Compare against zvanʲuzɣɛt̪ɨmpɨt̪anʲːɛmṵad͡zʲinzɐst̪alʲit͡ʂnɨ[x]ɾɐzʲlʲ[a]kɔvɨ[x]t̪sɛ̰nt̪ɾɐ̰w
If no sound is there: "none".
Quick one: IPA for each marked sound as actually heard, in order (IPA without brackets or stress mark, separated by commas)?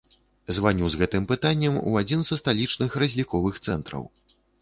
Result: x, i, x